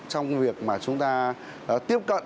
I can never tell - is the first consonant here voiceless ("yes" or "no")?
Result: yes